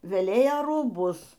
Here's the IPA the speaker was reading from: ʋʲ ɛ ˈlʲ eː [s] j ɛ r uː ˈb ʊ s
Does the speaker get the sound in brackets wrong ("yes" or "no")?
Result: yes